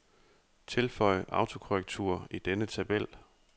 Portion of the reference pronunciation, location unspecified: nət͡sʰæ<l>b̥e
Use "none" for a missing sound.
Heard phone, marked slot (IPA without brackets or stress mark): none